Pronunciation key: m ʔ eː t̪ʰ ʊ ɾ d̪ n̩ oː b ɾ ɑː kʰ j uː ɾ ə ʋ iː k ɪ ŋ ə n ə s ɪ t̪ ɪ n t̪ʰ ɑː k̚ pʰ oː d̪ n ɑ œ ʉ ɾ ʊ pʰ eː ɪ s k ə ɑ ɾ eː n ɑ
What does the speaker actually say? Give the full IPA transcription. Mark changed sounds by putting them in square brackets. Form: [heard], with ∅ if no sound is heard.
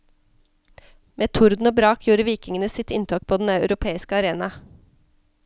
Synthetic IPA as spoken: m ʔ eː t̪ʰ ʊ ɾ d̪ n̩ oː b ɾ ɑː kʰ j uː ɾ ə ʋ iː k ɪ ŋ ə n ə s ɪ t̪ ɪ n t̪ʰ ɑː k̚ pʰ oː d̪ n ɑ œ ʉ ɾ ʊ pʰ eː ɪ s k ə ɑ ɾ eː n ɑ